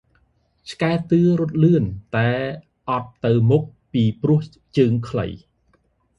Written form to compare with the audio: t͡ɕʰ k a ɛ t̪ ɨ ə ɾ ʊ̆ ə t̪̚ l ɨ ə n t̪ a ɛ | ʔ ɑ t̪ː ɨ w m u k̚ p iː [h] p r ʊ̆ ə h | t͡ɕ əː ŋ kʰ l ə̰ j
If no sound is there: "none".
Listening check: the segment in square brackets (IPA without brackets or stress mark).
none